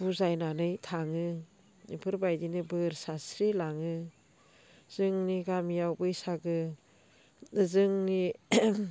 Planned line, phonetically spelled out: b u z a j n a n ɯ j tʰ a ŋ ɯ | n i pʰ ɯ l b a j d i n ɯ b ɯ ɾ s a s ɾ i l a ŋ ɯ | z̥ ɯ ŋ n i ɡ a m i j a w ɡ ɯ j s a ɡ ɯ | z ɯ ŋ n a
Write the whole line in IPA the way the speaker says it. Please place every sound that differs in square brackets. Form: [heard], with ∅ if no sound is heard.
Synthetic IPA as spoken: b u z a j n a n ɯ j tʰ a ŋ ɯ | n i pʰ ɯ [ɾ] b a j d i n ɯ b ɯ ɾ s a s ɾ i l a ŋ ɯ | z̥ ɯ ŋ n i ɡ a m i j a w [b] ɯ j s a ɡ ɯ | z ɯ ŋ n [i]